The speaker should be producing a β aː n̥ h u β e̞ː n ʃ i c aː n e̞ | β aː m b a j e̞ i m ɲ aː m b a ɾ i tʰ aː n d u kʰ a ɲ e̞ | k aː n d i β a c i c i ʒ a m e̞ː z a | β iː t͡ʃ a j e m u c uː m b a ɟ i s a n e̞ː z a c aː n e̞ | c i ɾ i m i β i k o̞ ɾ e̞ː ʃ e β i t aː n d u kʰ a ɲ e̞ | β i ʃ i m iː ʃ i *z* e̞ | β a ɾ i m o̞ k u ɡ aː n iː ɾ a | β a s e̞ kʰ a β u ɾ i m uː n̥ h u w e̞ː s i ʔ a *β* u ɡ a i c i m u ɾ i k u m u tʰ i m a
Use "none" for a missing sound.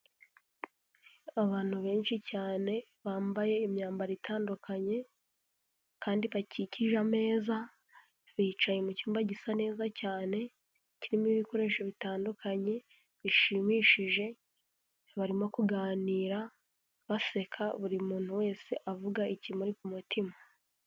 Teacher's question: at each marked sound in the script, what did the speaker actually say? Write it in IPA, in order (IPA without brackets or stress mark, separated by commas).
ʒ, v